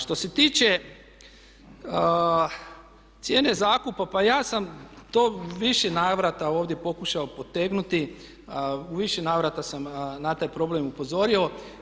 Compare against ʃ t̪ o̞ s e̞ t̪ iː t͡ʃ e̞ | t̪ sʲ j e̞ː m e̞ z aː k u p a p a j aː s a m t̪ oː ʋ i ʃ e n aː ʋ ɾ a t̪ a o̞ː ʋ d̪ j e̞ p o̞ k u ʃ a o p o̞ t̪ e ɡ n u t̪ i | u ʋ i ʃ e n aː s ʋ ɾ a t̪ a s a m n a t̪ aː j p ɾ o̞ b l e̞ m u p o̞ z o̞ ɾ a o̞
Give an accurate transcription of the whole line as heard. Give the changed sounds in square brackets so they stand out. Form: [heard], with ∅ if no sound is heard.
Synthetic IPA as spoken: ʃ t̪ o̞ s e̞ t̪ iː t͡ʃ e̞ | t̪ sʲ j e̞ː [n] e̞ z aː k u p a p a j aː s a m t̪ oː ʋ i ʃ e n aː ʋ ɾ a t̪ a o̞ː ʋ d̪ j e̞ p o̞ k u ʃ a o p o̞ t̪ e ɡ n u t̪ i | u ʋ i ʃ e n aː [∅] ʋ ɾ a t̪ a s a m n a t̪ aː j p ɾ o̞ b l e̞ m u p o̞ z o̞ ɾ [i] o̞